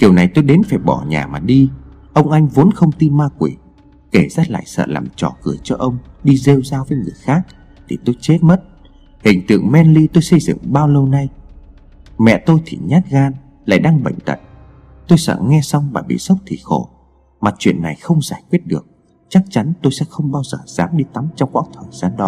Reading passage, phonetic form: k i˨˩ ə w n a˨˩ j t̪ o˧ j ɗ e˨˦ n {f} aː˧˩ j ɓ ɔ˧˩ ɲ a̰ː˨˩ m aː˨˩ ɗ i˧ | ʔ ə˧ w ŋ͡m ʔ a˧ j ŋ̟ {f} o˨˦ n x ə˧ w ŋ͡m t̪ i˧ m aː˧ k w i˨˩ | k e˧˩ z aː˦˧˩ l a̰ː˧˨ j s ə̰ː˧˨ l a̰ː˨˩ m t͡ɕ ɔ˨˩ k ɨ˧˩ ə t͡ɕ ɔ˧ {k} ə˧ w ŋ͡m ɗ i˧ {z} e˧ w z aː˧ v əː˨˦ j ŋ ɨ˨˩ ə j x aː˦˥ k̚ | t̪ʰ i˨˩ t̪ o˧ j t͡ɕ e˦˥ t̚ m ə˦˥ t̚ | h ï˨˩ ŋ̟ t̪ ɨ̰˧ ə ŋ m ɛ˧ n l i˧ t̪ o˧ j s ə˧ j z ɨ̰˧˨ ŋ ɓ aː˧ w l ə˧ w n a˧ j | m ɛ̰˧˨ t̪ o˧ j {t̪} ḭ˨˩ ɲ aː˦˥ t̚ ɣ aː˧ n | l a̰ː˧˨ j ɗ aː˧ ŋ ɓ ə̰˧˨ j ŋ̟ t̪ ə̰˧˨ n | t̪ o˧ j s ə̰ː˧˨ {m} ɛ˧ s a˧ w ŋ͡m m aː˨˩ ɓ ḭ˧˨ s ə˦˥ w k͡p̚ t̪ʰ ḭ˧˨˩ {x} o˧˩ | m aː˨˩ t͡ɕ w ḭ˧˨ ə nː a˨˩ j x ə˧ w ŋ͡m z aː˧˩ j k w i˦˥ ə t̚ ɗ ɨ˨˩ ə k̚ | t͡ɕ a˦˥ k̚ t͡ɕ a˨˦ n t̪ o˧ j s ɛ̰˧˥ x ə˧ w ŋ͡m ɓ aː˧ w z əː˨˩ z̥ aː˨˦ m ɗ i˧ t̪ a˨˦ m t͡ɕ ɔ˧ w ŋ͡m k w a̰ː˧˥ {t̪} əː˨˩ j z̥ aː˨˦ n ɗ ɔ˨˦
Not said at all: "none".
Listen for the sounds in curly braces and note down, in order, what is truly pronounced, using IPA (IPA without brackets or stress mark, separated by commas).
f, v, ʔ, z, t̪ʰ, ŋ, x, t̪ʰ